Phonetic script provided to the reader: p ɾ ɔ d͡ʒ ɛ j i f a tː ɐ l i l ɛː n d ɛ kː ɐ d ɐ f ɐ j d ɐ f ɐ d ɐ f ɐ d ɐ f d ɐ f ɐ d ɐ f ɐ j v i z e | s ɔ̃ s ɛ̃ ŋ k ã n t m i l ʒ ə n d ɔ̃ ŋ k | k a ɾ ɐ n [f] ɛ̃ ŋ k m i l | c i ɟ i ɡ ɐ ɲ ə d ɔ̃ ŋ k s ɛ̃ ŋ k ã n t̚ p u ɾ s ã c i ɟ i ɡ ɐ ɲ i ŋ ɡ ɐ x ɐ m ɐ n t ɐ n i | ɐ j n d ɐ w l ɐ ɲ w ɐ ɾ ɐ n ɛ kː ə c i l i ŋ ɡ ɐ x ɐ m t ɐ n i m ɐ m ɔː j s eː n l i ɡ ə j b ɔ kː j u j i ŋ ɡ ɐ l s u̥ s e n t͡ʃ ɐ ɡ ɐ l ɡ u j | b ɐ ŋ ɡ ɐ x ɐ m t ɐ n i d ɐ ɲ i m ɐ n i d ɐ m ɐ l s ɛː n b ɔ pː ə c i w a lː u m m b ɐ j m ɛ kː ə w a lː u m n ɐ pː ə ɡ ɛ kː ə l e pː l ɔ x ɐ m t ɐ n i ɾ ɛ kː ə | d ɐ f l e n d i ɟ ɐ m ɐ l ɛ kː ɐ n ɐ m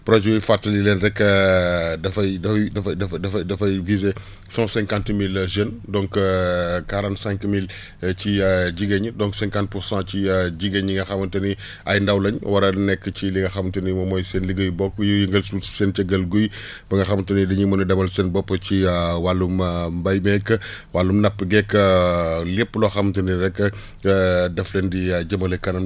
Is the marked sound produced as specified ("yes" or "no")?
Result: no